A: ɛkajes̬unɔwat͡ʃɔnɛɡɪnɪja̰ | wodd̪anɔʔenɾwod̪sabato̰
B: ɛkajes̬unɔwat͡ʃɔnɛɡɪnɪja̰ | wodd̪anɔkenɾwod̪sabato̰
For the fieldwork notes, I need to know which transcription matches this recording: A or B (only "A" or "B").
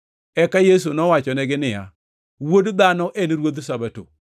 A